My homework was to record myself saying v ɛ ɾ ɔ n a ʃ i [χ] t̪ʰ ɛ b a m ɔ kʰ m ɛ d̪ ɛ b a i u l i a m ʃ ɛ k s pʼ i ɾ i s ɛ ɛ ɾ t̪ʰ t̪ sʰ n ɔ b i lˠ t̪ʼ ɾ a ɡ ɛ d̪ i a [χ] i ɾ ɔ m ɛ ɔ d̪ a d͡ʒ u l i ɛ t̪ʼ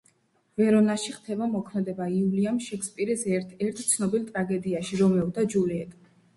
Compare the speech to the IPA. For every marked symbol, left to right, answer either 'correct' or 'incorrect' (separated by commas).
correct, incorrect